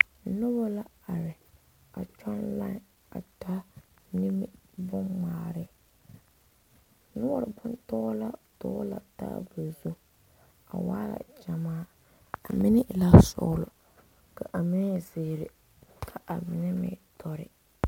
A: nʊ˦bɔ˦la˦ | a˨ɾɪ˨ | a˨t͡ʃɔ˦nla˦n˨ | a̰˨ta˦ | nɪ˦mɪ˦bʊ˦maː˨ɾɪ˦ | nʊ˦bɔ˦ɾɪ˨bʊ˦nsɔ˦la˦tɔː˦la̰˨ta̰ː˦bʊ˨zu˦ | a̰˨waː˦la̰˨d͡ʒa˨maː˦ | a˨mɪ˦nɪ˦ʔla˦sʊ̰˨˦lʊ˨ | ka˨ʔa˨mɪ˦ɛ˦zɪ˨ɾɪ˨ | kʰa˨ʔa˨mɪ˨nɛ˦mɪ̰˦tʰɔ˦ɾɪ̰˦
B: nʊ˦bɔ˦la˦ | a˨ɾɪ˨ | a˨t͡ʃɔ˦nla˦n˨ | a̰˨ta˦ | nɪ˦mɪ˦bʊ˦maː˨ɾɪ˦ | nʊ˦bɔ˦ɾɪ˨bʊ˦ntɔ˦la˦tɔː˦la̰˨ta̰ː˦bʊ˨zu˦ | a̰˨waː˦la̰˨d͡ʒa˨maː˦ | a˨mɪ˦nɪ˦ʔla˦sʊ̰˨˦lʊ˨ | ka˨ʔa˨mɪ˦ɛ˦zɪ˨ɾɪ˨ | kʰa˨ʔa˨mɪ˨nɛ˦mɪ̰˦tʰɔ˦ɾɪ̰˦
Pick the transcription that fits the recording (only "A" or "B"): B